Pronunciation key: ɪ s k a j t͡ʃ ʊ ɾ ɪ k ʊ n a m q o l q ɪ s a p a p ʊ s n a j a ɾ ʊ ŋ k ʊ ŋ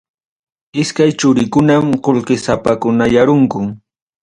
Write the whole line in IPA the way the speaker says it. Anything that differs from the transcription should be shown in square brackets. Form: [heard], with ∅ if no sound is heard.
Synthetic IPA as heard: ɪ s k a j t͡ʃ ʊ ɾ ɪ k ʊ n a m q o l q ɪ s a p a [k] ʊ [∅] n a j a ɾ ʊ ŋ k ʊ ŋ

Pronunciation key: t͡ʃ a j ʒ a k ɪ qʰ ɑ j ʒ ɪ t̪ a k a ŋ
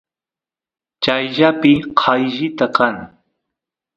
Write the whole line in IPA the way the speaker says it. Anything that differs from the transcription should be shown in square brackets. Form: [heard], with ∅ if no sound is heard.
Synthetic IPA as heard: t͡ʃ a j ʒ a [p] ɪ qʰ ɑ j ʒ ɪ t̪ a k a ŋ

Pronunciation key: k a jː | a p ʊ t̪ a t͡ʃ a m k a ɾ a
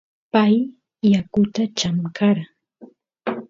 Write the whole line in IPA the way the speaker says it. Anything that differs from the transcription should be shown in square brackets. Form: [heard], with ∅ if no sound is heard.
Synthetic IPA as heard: [p] a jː | a [k] ʊ t̪ a t͡ʃ a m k a ɾ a

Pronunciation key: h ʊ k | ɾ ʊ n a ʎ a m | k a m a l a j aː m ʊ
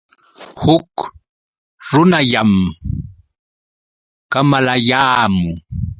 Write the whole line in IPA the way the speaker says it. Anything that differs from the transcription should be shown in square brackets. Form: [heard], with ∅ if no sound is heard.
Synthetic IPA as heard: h ʊ k | ɾ ʊ n a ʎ a m | k a m a l a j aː m ʊ

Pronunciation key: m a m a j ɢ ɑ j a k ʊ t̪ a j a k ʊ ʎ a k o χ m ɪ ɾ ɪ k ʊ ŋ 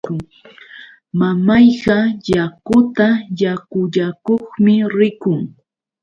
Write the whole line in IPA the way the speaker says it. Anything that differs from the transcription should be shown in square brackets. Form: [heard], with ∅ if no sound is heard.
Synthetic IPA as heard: m a m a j ɢ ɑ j a k ʊ t̪ a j a k ʊ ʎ a k o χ m ɪ ɾ ɪ k ʊ ŋ

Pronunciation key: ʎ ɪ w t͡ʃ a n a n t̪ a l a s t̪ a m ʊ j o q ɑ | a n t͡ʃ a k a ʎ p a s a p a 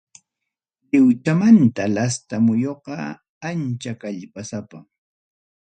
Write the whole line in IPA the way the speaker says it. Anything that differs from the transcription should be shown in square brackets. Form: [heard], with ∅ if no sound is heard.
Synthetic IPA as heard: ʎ ɪ w t͡ʃ a [m] a n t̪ a l a s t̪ a m ʊ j o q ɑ | a n t͡ʃ a k a ʎ p a s a p a

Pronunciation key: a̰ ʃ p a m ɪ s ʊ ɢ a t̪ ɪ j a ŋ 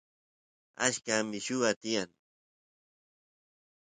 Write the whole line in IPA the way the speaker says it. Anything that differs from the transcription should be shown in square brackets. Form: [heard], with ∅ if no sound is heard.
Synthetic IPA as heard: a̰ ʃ [k] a m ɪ [ʃ] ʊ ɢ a t̪ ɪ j a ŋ

